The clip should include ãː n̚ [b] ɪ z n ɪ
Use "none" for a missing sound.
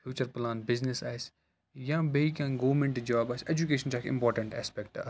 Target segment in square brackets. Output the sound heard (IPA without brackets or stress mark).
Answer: b